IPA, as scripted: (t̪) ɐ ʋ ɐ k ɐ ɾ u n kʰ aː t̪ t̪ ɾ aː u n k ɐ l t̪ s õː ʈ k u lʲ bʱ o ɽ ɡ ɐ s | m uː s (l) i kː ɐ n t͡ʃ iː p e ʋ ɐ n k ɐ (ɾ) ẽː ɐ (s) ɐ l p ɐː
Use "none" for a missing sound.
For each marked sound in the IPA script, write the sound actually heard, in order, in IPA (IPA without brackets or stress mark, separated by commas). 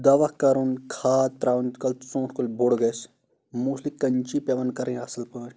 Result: d̪, l, ɾ, s